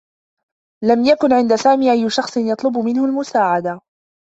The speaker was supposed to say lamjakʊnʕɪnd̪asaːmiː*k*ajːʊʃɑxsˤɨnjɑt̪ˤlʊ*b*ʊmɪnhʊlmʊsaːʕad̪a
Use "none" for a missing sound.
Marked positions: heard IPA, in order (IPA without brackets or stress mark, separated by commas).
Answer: ʔ, b